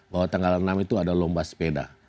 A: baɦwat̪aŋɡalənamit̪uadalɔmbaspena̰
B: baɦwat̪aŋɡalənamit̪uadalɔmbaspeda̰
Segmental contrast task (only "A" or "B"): B